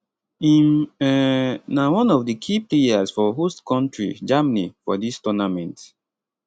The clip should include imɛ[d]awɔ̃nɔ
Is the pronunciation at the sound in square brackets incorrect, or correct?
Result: incorrect